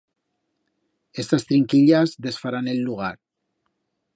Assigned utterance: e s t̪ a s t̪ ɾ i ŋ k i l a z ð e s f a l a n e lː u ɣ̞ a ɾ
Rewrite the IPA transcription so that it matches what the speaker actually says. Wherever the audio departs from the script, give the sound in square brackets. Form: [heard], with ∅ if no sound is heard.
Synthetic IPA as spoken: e s t̪ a s t̪ ɾ i ŋ k i [ʎ] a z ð e s f a [ɾ] a n e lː u ɣ̞ a ɾ